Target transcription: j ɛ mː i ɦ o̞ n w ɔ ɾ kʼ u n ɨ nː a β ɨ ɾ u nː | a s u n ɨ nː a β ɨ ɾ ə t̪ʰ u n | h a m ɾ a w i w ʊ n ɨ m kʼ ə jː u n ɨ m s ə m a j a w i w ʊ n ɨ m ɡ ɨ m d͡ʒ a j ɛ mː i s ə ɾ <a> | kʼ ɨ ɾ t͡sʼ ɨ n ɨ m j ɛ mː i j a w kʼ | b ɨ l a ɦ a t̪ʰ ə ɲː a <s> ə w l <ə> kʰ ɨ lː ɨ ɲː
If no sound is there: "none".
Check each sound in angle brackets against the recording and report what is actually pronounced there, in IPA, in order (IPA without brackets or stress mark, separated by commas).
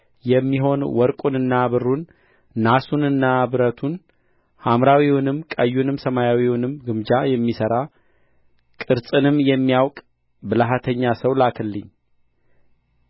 a, s, a